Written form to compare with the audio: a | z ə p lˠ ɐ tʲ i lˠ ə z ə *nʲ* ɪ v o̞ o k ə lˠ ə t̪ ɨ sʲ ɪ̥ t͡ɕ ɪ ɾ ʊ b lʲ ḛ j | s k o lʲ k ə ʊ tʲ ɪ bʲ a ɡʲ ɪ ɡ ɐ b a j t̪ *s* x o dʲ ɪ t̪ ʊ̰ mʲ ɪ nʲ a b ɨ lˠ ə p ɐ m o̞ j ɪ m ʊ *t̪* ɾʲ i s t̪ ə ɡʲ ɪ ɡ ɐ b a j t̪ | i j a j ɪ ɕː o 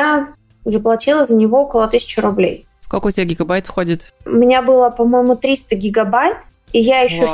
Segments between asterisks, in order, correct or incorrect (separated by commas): correct, incorrect, correct